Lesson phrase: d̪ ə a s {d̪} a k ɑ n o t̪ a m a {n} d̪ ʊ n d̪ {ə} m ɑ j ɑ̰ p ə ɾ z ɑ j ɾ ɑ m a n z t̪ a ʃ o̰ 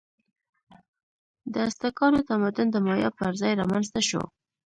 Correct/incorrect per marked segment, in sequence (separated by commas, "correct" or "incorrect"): incorrect, incorrect, correct